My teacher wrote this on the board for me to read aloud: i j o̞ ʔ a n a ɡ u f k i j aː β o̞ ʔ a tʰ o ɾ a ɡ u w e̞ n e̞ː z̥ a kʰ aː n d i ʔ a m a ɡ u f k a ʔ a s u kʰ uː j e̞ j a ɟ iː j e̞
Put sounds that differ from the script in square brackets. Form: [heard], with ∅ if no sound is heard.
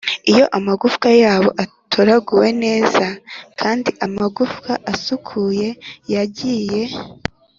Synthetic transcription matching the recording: i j o̞ ʔ a [m] a ɡ u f k [a] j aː β o̞ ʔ a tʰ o ɾ a ɡ u w e̞ n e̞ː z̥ a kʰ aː n d i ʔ a m a ɡ u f k a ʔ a s u kʰ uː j e̞ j a ɟ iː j e̞

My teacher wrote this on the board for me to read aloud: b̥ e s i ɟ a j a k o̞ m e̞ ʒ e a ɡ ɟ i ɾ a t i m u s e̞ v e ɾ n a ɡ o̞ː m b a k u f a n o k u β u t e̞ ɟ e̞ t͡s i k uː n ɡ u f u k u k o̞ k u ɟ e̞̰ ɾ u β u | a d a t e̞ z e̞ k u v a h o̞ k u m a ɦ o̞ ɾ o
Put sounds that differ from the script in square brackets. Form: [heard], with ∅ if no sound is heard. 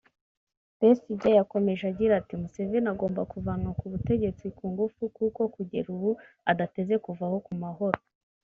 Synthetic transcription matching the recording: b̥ e s i ɟ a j a k o̞ m e̞ ʒ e a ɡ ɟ i ɾ a t i m u s e̞ v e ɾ n a ɡ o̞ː m b a k u [v] a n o k u β u t e̞ ɟ e̞ t͡s i k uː [ŋ] ɡ u f u k u k o̞ k u ɟ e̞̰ ɾ u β u | a d a t e̞ z e̞ k u v a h o̞ k u m a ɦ o̞ ɾ o

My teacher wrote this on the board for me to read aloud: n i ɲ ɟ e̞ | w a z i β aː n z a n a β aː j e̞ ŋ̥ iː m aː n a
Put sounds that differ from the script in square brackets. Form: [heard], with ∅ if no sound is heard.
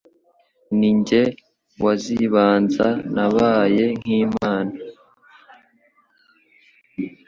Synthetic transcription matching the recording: n i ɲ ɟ e̞ | w a z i β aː n z a n a β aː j e̞ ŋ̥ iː m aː n a

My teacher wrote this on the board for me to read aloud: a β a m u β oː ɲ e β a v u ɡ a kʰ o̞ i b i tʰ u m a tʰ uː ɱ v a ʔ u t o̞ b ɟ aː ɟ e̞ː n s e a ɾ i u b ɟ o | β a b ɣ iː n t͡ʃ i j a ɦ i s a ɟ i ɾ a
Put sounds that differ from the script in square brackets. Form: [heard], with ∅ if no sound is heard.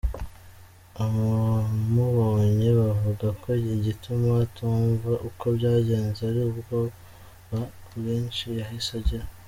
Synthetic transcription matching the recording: a β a m u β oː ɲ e β a v u ɡ a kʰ o̞ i [ɟ] i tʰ u m a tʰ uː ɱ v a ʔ u [k] o̞ b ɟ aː ɟ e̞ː n [z] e a ɾ i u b [ɡ] o | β a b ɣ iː n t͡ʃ i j a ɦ i s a ɟ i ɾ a

